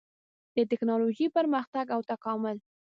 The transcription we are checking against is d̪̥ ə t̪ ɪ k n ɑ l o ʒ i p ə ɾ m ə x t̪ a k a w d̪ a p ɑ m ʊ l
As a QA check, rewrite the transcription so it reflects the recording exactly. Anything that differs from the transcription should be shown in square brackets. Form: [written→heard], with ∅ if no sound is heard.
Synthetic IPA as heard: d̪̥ ə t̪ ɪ k n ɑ l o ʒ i p ə ɾ m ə x t̪ a [k→ɡ] a w [d̪→t̪] a [p→k] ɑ m ʊ l